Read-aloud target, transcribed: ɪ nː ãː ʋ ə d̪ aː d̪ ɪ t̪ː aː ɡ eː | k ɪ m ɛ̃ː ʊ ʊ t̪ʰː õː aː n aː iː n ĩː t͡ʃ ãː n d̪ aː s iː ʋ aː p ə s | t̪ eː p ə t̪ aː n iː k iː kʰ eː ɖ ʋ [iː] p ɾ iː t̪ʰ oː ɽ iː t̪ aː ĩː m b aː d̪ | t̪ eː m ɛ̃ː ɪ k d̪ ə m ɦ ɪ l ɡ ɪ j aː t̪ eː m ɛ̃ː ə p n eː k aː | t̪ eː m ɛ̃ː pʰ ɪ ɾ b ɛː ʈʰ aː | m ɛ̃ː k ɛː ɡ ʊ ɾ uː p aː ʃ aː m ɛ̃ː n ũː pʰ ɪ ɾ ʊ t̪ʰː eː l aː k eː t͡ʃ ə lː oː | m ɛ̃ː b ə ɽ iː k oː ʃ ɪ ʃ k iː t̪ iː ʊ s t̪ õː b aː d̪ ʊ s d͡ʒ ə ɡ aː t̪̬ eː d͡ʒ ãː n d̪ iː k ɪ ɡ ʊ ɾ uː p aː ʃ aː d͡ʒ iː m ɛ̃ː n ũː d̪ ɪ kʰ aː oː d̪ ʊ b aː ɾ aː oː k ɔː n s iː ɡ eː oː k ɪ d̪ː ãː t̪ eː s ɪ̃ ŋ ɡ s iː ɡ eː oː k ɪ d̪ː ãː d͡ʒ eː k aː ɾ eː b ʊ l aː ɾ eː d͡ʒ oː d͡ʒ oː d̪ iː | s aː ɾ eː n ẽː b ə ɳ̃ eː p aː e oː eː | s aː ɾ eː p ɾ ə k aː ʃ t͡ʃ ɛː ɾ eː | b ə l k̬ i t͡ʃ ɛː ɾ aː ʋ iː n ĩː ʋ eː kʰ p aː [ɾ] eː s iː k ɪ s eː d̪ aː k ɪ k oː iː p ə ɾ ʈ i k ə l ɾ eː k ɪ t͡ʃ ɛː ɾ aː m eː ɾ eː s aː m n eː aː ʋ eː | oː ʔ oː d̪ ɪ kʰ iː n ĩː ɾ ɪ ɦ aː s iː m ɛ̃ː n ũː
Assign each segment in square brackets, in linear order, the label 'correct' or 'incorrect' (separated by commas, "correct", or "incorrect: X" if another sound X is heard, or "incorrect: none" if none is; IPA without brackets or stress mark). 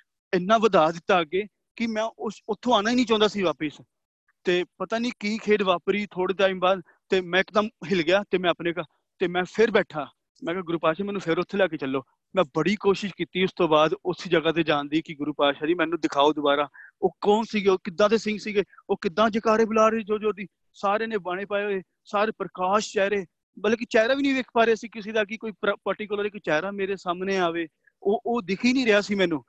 incorrect: aː, correct